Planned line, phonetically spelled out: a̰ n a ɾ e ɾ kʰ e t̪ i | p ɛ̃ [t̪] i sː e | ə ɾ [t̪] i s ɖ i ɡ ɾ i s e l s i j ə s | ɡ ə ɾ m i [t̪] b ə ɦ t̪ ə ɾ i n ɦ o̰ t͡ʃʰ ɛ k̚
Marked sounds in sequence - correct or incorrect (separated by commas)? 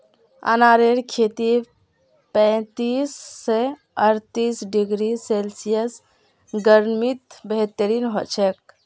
correct, correct, correct